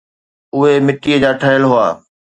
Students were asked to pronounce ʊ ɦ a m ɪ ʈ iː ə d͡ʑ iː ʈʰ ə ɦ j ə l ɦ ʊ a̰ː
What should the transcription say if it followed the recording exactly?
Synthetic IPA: ʊ ɦ e m ɪ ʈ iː ə d͡ʑ aː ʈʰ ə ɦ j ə l ɦ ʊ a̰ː

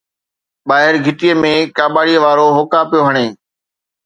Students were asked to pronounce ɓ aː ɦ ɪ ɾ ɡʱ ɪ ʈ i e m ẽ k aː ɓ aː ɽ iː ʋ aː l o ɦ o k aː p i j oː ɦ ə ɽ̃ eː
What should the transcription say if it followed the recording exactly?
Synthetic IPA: ɓ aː ɦ ɪ ɾ ɡʱ ɪ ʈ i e m ẽ k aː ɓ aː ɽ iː ʋ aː ɾ o ɦ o k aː p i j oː ɦ ə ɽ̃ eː

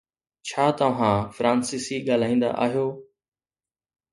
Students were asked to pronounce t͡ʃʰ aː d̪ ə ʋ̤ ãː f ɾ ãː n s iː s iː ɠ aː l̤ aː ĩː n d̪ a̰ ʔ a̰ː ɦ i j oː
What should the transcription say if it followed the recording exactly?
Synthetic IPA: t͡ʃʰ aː t̪ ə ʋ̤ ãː f ɾ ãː n s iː s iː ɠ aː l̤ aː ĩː n d̪ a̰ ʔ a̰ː ɦ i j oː

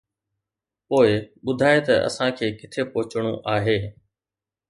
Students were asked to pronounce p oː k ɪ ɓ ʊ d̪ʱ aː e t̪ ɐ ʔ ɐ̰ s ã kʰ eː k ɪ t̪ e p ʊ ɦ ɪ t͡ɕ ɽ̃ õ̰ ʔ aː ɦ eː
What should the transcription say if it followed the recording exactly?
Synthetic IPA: p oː ɪ ɓ ʊ d̪ʱ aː e t̪ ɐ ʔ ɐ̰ s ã kʰ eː k ɪ t̪ʰ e p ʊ ɦ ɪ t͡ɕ ɽ̃ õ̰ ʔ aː ɦ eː

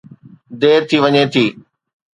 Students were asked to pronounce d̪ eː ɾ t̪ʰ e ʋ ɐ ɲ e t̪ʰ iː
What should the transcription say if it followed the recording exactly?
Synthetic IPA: d̪ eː ɾ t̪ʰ i ʋ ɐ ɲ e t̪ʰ iː

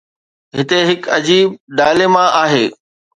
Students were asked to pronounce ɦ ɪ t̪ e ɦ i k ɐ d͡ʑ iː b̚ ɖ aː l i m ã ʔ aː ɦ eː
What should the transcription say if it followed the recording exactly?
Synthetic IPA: ɦ ɪ t̪ e ɦ ɪ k ɐ d͡ʑ iː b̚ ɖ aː l e m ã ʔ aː ɦ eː

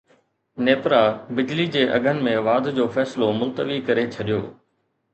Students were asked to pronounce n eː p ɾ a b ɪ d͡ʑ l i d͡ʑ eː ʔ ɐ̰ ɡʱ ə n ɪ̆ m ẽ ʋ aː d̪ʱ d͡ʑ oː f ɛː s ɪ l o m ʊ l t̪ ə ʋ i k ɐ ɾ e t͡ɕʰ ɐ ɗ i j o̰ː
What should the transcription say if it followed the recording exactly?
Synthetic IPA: n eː p ɾ a b ɪ d͡ʑ l i d͡ʑ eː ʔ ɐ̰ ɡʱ ə n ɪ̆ m ẽ ʋ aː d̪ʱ d͡ʑ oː f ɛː s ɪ l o m ʊ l t̪ ə ʋ i k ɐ ɾ e t͡ɕʰ ɐ ɗ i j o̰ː

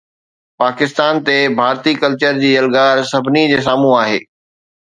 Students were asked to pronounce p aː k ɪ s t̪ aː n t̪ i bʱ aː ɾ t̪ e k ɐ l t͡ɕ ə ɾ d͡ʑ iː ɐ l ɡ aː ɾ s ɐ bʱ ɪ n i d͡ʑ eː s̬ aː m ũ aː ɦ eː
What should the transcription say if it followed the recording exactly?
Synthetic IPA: p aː k ɪ s t̪ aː n t̪ e bʱ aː ɾ t̪ i k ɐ l t͡ɕ ə ɾ d͡ʑ iː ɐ l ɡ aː ɾ s ɐ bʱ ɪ n i d͡ʑ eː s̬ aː m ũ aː ɦ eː

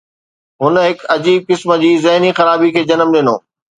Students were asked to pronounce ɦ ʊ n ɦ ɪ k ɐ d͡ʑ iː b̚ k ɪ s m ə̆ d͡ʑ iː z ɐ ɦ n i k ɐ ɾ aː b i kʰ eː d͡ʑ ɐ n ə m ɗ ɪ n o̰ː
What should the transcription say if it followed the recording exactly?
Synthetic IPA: ɦ ʊ n ɦ ɪ k ɐ d͡ʑ iː b̚ k ɪ s m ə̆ d͡ʑ iː z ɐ ɦ n i x ɐ ɾ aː b i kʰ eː d͡ʑ ɐ n ə m ɗ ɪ n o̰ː

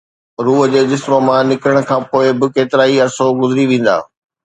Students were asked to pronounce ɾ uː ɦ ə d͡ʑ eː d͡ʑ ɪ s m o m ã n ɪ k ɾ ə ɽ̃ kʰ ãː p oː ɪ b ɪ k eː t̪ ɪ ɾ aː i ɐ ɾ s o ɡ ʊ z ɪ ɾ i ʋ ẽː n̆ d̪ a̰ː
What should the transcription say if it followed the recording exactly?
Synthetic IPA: ɾ uː ɦ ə d͡ʑ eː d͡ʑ ɪ s m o m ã n ɪ k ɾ ə ɽ̃ kʰ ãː p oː ɪ b ɪ k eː t̪ ɪ ɾ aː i ɐ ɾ s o ɡ ʊ z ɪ ɾ i ʋ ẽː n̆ d̪ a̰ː

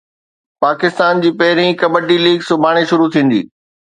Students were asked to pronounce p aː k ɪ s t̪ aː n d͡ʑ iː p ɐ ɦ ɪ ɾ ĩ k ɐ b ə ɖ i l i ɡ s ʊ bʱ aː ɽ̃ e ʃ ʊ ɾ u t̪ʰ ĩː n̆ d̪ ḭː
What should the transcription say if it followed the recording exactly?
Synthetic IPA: p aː k ɪ s t̪ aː n d͡ʑ iː p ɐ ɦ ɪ ɾ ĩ k ɐ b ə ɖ i l iː ɡ s ʊ bʱ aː ɽ̃ e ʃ ʊ ɾ u t̪ʰ ĩː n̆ d̪ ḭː

